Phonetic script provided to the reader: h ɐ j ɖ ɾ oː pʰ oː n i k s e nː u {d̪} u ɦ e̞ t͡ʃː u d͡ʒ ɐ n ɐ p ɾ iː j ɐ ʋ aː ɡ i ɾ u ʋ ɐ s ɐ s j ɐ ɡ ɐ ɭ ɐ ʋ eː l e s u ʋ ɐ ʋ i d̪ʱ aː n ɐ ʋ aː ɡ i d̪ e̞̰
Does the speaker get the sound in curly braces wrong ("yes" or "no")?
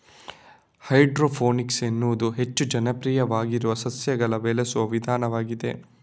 no